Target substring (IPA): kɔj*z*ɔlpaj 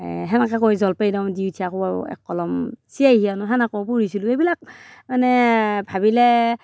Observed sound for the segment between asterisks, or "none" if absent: z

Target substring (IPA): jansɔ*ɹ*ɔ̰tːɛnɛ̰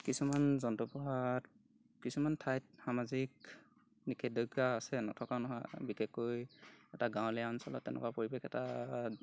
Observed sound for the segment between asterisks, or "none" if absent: l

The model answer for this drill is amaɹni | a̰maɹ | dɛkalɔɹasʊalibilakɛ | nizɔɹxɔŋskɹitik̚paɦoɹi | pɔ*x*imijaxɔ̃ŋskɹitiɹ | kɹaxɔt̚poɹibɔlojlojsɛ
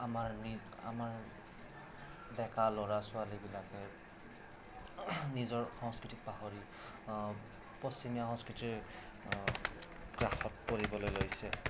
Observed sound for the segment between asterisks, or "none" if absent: s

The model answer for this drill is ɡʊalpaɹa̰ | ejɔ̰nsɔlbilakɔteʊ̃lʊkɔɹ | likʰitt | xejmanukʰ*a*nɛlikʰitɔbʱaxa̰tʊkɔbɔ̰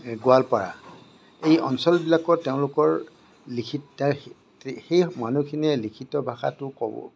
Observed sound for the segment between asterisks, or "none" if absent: i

